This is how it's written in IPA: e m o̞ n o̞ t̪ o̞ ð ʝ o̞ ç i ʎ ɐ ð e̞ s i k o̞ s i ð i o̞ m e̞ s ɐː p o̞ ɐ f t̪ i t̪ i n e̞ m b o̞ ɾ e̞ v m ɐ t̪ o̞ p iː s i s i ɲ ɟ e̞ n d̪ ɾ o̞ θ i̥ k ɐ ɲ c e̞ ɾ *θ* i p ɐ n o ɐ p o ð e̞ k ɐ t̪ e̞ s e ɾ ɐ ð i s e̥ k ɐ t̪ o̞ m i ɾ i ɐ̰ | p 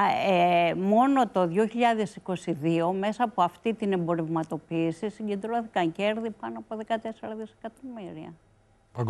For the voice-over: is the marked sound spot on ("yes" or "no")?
no